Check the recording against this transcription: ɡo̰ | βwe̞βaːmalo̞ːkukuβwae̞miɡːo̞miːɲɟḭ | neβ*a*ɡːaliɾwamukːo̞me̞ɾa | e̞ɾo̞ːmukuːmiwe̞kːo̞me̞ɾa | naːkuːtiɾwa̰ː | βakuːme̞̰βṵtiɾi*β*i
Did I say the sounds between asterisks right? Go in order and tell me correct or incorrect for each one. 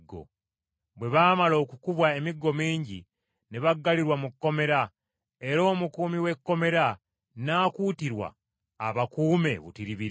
correct, correct

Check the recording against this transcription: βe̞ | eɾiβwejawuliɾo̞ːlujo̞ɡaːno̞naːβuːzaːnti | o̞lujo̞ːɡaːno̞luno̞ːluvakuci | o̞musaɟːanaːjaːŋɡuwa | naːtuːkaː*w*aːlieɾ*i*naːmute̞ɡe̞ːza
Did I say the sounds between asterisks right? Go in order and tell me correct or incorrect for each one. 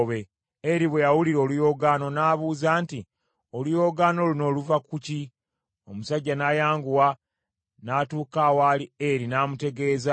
correct, correct

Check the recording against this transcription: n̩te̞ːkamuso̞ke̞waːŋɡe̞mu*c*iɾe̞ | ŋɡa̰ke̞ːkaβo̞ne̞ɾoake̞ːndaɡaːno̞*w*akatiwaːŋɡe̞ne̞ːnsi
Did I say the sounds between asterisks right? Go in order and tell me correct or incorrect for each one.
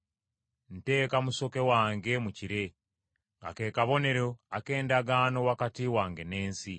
correct, correct

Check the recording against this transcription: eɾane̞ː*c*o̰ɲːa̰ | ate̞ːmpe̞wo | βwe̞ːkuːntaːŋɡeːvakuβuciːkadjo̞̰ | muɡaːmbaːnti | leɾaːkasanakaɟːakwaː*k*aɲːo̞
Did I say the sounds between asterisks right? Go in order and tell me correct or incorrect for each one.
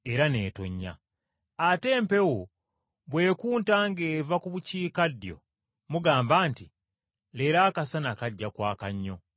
incorrect: t, correct

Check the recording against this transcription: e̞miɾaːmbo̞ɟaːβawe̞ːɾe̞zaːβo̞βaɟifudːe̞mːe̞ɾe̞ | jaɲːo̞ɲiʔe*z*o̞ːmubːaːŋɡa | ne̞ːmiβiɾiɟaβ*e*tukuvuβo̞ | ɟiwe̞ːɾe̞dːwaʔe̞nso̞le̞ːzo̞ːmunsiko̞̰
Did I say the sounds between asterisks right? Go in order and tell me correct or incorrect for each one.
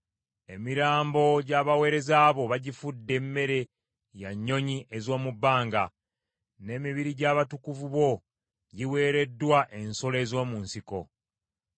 correct, incorrect: a

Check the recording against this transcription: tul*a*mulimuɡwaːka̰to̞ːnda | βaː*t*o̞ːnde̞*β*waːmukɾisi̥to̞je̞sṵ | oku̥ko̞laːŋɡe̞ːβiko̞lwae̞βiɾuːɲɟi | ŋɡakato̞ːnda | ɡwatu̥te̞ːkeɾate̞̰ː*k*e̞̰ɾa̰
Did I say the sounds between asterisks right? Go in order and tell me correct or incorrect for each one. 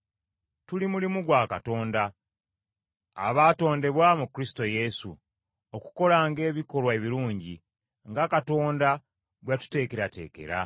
incorrect: i, correct, correct, correct

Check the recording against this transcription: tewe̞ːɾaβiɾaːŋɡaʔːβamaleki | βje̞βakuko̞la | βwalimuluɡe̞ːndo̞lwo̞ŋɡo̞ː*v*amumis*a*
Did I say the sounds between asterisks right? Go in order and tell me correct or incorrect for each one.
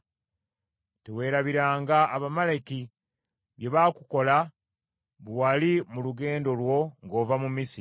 correct, incorrect: i

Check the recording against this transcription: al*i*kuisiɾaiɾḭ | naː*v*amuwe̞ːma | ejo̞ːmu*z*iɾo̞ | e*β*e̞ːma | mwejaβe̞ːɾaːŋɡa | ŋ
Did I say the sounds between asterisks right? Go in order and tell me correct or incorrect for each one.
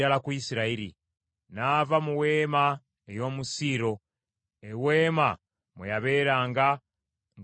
incorrect: a, correct, incorrect: s, incorrect: w

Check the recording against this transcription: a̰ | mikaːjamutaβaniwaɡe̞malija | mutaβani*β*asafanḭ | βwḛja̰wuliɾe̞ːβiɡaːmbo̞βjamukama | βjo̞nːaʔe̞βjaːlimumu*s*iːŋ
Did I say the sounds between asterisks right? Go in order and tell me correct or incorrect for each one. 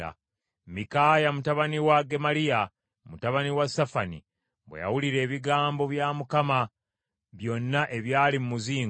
incorrect: w, incorrect: z

